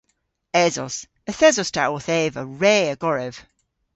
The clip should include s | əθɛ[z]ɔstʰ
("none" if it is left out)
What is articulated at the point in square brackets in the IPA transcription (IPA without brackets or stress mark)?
z